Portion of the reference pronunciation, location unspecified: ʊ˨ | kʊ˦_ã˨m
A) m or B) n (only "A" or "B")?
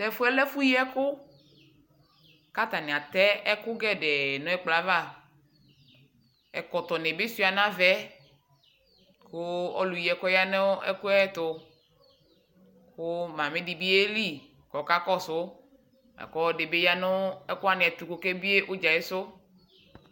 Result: A